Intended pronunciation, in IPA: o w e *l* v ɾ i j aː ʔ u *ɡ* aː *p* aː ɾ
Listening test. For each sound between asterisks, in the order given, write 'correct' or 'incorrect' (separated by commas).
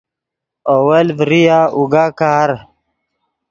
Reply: correct, correct, incorrect